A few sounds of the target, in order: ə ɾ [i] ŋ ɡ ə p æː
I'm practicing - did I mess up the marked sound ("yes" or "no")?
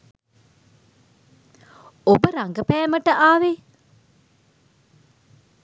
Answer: yes